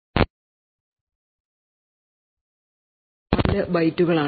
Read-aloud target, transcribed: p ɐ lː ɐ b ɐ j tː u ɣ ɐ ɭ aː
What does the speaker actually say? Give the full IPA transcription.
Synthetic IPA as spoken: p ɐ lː ɐ b ɐ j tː u ɣ ɐ ɭ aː